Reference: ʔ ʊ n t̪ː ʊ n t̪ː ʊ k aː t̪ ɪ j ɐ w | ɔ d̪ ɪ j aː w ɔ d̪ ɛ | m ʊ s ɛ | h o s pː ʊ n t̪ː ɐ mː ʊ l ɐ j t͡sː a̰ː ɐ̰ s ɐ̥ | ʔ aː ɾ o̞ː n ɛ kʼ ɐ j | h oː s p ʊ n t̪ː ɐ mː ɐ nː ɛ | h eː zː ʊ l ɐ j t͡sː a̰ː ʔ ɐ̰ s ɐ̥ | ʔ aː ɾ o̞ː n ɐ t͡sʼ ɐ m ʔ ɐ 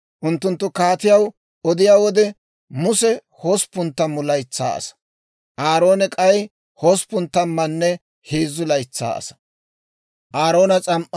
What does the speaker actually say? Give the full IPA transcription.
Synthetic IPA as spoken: ʔ ʊ n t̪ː ʊ n t̪ː ʊ k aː t̪ ɪ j ɐ w | ɔ d̪ ɪ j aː w ɔ d̪ ɛ | m ʊ s ɛ | h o s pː ʊ n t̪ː ɐ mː ʊ l ɐ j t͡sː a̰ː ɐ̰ s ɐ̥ | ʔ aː ɾ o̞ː n ɛ kʼ ɐ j | h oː s p ʊ n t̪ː ɐ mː ɐ nː ɛ | h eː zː ʊ l ɐ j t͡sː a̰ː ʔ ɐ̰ s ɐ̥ | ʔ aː ɾ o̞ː n ɐ t͡sʼ ɐ m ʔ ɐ